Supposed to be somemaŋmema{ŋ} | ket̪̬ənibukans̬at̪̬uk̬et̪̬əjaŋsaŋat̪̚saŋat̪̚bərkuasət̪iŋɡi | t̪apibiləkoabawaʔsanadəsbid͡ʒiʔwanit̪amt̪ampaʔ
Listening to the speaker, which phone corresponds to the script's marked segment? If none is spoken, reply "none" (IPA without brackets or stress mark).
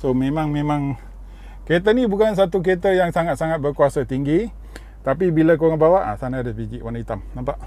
ŋ